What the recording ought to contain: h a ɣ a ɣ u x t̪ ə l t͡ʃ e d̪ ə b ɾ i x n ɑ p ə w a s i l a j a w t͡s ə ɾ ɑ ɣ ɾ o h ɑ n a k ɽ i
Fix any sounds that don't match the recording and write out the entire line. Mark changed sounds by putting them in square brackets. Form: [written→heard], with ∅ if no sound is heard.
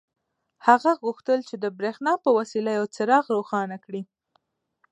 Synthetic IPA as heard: h a ɣ a ɣ u x t̪ ə l t͡ʃ e d̪ ə b ɾ [i→e] x n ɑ p ə w a s i l a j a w t͡s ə ɾ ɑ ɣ ɾ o [h→x] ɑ n a k ɽ i